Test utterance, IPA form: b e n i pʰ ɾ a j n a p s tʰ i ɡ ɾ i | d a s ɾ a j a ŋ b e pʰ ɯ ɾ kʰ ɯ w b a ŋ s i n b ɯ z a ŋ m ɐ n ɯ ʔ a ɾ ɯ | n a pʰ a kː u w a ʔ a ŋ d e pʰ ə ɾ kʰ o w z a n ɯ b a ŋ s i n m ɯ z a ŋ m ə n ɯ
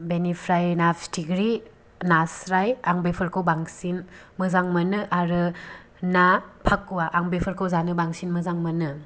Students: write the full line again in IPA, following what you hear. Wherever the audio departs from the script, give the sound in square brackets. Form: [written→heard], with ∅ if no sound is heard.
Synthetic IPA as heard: b e n i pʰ ɾ a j n a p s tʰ i ɡ ɾ i | [d→n] a s ɾ a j a ŋ b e pʰ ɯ ɾ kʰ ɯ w b a ŋ s i n [b→m] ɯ z a ŋ m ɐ n ɯ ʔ a ɾ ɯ | n a pʰ a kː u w a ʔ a ŋ [d→b] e pʰ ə ɾ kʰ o w z a n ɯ b a ŋ s i n m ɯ z a ŋ m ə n ɯ